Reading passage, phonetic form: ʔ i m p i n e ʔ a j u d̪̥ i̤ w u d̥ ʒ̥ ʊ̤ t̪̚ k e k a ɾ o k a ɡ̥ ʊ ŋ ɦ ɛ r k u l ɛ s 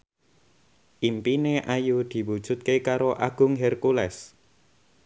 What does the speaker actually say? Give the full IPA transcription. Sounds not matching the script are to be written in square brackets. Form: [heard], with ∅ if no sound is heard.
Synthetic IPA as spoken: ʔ i m p i n e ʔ a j u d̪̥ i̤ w u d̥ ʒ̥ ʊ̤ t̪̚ k e k a ɾ o [ʔ] a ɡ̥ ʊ ŋ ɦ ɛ r k u l ɛ s

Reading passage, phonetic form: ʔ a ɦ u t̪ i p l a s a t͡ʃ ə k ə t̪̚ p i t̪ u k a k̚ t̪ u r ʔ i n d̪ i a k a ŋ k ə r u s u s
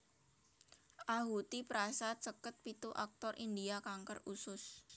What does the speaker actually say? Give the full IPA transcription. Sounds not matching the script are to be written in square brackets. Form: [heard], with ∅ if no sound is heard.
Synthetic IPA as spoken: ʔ a ɦ u t̪ i p [ɾ] a s a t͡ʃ ə k ə t̪̚ p i t̪ u [ʔ] a k̚ t̪ [ɔ] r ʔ i n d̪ i a k a ŋ k ə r u s [ʊ] s

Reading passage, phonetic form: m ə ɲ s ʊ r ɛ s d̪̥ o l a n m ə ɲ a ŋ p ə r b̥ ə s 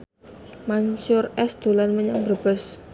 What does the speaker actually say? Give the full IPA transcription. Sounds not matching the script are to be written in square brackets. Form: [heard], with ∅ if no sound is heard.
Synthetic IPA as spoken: m [a] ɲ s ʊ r ɛ s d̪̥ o l a n m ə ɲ a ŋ [b] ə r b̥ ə s

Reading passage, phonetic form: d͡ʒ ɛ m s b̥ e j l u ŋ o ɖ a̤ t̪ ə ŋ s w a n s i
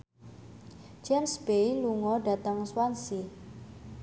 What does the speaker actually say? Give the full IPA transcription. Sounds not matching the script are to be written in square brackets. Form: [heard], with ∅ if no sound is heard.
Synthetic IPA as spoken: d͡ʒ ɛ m s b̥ e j l u ŋ [ɔ] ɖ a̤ t̪ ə ŋ s w a n s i

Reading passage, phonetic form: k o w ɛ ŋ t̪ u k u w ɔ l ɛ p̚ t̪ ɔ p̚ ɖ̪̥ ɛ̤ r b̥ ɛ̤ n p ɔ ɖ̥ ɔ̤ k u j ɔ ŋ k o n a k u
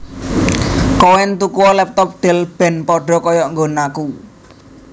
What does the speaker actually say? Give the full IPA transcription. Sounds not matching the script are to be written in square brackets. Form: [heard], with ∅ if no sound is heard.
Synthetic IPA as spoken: k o w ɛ [n] t̪ u k u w ɔ l ɛ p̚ t̪ ɔ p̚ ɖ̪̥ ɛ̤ [l] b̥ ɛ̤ n p ɔ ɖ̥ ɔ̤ k [ɔ] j ɔ ŋ [ɡ] o n a k u

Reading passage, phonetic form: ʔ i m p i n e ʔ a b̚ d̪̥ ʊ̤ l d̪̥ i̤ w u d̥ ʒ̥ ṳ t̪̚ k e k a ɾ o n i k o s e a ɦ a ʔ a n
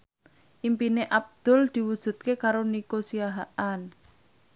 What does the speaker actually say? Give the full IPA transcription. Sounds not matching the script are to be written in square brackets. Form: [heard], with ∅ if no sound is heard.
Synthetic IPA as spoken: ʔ i m p i n e ʔ a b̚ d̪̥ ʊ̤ l d̪̥ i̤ w u d̥ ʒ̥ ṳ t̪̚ k e k a ɾ o n i k o s [i] a ɦ a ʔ a n

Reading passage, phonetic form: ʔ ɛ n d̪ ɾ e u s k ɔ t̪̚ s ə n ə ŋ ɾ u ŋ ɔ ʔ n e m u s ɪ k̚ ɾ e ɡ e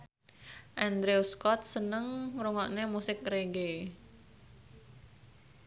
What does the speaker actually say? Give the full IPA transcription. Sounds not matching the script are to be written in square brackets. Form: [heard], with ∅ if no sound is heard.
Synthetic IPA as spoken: ʔ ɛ n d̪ ɾ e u s k ɔ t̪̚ s ə n ə ŋ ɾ u ŋ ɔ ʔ n e m u s ɪ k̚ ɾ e ɡ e

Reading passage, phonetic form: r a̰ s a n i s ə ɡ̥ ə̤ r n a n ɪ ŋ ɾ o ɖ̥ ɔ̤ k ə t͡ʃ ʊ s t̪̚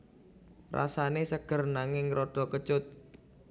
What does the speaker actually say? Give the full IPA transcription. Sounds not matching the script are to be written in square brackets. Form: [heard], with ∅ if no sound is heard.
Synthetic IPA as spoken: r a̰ s a n [e] s ə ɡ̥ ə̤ r n a [ŋ] ɪ ŋ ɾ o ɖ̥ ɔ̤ k ə t͡ʃ ʊ [∅] t̪̚

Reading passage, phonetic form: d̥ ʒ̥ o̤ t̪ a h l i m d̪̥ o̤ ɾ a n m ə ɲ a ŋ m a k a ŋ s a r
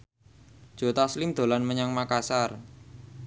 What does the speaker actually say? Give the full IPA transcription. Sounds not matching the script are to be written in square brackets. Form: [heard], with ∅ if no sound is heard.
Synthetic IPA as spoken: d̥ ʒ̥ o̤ t̪ a [s] l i m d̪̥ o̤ [l] a n m ə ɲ a ŋ m a k a [∅] s a r

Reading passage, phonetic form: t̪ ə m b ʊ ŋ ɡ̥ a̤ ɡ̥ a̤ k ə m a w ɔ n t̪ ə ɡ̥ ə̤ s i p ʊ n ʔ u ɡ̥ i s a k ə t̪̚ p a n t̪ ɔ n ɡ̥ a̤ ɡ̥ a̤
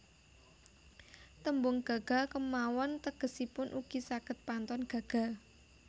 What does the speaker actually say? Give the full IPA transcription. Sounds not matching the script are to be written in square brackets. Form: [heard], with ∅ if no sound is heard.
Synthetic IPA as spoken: t̪ ə m b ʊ ŋ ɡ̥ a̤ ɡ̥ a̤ k ə m a w ɔ n t̪ ə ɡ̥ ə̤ s i p ʊ n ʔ u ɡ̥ i s a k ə t̪̚ p a n t̪ ɔ n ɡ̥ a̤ ɡ̥ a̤

